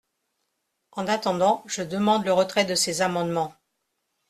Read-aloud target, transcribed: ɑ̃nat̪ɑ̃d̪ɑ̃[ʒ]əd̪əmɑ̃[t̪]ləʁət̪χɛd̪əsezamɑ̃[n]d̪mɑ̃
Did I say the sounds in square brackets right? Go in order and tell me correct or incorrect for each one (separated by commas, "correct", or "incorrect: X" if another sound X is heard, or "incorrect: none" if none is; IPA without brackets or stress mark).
correct, incorrect: d̪, incorrect: none